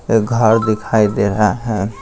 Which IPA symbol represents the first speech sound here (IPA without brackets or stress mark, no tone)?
ɡʱ